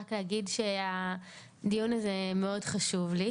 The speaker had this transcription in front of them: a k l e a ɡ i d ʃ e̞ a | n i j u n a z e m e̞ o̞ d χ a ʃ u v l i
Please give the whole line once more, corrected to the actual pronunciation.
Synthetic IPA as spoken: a k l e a ɡ i d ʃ e̞ a | d i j u n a z e m e̞ o̞ d χ a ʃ u v l i